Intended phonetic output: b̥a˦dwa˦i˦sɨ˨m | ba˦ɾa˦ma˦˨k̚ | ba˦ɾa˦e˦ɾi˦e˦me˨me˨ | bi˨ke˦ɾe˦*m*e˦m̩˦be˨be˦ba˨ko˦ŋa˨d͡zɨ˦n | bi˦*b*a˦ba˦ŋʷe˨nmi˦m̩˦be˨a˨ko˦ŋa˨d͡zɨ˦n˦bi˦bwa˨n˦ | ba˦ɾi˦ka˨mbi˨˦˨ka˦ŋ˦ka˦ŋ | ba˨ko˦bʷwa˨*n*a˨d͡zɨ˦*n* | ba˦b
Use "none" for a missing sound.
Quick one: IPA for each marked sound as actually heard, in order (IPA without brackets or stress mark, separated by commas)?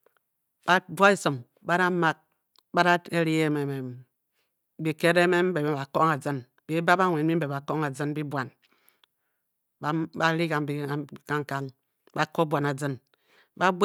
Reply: m, b, n, n